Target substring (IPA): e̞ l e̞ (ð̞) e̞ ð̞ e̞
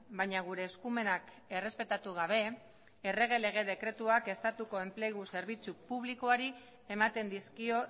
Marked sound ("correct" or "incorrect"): incorrect